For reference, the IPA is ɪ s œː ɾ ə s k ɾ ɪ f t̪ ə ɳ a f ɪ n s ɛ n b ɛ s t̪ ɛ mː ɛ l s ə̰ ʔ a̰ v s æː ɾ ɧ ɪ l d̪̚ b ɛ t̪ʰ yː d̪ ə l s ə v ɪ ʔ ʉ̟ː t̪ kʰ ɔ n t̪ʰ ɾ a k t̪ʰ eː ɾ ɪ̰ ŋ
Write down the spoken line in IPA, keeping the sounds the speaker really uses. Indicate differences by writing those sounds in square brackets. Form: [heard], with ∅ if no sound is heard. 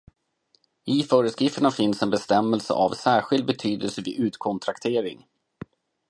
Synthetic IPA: ɪ [f] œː ɾ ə s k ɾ ɪ f t̪ ə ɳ a f ɪ n s ɛ n b ɛ s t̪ ɛ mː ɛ l s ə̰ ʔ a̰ v s æː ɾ ɧ ɪ l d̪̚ b ɛ t̪ʰ yː d̪ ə l s ə v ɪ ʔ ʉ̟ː t̪ kʰ ɔ n t̪ʰ ɾ a k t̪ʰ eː ɾ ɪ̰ ŋ